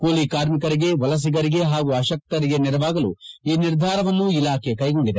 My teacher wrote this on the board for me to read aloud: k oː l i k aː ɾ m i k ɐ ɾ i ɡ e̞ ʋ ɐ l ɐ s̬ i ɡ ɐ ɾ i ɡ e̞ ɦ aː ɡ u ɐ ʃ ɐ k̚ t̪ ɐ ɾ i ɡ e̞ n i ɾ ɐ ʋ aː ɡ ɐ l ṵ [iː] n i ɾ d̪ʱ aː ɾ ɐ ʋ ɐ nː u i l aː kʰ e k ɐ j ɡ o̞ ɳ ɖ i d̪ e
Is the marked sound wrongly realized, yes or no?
no